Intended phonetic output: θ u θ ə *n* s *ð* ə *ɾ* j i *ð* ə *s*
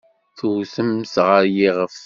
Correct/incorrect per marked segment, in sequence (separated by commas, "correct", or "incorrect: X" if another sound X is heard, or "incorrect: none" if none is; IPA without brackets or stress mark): incorrect: m, incorrect: ʁ, correct, incorrect: ʁ, incorrect: f